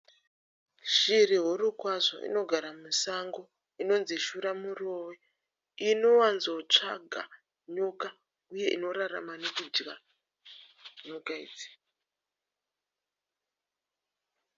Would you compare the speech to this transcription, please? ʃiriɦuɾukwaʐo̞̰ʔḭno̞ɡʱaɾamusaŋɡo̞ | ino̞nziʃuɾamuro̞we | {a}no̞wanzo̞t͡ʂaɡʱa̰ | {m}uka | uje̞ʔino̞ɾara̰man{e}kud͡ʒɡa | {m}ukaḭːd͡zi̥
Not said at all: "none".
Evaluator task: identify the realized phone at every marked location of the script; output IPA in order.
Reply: i, ɲ, e, ɲ

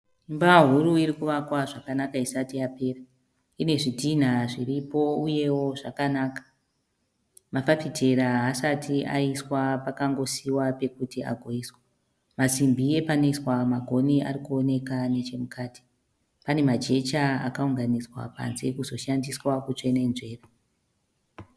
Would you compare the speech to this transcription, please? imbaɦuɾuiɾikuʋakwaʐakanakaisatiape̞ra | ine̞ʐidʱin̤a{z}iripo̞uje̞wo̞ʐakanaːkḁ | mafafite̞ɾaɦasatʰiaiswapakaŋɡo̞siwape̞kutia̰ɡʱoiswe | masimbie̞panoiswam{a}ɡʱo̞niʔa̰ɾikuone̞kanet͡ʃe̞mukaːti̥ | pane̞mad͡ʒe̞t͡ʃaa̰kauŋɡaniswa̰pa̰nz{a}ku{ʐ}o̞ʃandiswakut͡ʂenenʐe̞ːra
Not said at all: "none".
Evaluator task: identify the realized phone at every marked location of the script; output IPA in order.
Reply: ʐ, a, e, z

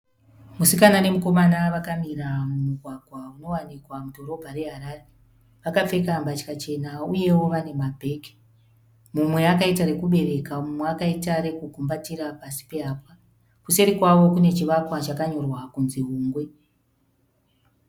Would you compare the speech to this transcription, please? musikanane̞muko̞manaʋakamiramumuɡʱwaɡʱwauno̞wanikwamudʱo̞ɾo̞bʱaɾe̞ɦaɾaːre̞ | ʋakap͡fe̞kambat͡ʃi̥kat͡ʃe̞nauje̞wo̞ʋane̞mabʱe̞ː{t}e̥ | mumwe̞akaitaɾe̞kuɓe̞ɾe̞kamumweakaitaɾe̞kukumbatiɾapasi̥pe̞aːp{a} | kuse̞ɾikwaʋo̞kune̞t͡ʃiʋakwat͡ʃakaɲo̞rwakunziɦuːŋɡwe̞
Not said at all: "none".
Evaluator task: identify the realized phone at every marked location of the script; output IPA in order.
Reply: k, a

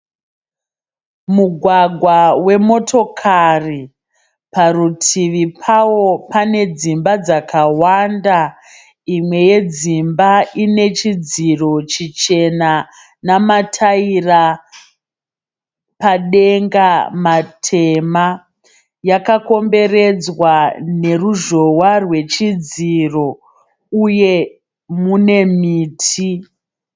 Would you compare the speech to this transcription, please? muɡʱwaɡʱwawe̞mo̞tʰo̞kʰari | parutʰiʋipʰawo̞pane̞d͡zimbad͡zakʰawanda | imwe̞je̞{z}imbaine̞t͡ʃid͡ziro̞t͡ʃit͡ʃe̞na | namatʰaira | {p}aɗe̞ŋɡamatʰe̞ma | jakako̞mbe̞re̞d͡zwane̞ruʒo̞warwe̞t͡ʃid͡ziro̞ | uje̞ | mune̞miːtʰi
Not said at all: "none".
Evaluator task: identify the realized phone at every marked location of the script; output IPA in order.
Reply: d͡z, p

